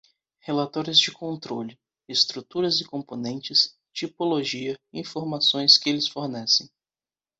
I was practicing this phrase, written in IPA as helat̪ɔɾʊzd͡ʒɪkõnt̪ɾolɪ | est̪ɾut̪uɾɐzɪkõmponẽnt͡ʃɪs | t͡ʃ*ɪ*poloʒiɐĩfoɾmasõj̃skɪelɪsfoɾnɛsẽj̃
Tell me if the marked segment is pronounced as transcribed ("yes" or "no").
no